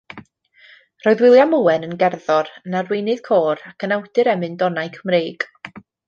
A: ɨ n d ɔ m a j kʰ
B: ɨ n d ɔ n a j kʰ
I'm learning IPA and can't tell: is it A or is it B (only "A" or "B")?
B